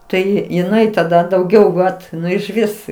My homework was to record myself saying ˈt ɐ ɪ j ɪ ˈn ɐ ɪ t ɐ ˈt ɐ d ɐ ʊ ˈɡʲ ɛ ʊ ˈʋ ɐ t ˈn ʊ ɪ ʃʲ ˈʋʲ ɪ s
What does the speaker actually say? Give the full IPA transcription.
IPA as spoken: ˈt ɐ ɪ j ɪ ˈn ɐ ɪ t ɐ ˈd ɐ d ɐ ʊ ˈɡʲ ɛ ʊ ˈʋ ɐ t ˈn ʊ ɪ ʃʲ ˈʋʲ ɪ s